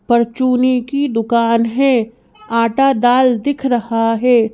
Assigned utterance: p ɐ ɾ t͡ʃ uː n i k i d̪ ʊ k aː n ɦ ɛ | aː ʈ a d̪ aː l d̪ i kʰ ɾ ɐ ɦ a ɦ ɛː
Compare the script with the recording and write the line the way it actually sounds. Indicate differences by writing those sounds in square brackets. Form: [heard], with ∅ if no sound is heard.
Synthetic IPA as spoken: p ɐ ɾ t͡ʃ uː n i k i d̪ ʊ k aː n ɦ ɛ | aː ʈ a d̪ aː l d̪ [ɪ] kʰ ɾ ɐ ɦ a ɦ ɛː